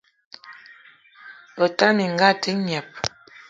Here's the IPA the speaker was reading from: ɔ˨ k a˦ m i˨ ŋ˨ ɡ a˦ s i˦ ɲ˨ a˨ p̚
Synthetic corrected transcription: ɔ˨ t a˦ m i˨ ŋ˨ ɡ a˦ t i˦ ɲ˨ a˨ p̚